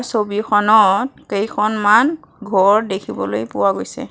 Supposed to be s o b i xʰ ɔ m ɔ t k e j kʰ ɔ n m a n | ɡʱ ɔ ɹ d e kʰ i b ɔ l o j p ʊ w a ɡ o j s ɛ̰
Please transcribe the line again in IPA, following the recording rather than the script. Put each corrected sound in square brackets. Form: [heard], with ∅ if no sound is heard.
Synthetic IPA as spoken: s o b i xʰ ɔ [n] ɔ t k e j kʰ ɔ n m a n | ɡʱ ɔ ɹ d e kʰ i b ɔ l o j p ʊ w a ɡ o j s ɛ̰